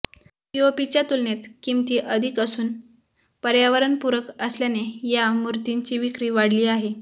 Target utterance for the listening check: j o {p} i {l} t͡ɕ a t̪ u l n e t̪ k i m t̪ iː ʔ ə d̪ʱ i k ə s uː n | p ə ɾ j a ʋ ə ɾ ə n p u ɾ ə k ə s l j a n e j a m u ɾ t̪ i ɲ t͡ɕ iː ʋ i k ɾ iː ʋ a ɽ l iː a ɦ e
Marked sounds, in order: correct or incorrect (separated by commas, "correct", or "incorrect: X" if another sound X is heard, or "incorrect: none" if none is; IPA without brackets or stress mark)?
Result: correct, incorrect: none